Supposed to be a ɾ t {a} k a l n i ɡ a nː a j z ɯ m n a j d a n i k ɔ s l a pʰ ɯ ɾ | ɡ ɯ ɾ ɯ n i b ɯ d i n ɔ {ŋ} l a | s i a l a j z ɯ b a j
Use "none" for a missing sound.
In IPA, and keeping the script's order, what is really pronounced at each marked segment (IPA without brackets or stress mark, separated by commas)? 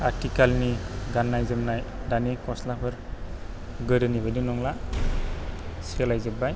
i, ŋ